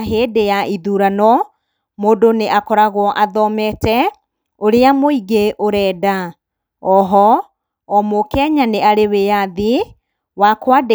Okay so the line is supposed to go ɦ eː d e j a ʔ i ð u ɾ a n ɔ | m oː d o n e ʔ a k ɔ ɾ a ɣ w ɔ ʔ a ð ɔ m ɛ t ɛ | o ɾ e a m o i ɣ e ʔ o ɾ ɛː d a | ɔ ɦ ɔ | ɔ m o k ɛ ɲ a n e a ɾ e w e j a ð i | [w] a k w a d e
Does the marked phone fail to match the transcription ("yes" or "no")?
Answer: no